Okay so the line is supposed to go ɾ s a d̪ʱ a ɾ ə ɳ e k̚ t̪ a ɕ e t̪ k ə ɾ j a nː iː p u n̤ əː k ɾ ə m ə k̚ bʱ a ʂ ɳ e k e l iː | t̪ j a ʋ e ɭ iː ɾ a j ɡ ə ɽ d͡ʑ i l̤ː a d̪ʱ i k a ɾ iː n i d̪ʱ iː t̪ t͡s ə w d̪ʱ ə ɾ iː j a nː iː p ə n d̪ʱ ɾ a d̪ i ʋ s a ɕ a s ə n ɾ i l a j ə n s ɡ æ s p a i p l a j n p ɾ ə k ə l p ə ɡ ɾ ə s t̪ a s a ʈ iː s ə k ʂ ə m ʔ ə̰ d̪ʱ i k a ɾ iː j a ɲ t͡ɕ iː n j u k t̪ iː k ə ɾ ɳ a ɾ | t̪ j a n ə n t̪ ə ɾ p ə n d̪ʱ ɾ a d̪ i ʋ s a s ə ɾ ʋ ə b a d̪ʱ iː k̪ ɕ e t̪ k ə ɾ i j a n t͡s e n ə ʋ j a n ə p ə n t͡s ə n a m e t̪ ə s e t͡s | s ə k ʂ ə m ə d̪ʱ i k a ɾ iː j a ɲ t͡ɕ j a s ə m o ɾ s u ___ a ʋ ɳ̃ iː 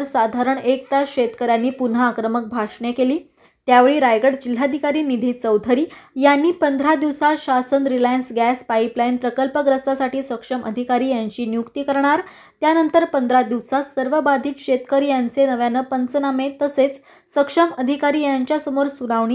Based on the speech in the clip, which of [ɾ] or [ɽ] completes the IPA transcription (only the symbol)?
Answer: ɽ